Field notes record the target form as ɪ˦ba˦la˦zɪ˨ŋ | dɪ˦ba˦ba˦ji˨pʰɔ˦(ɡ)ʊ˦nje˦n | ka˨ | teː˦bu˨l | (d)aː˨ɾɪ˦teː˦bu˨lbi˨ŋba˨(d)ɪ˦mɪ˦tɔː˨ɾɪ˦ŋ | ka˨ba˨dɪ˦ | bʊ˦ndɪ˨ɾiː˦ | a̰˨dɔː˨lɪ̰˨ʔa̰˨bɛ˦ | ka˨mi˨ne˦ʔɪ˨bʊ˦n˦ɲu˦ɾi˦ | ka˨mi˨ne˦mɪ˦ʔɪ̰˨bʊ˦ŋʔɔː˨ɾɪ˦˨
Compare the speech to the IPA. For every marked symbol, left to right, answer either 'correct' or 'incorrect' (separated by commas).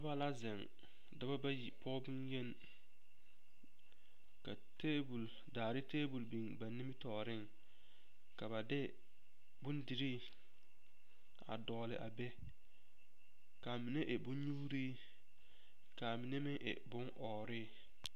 incorrect, correct, incorrect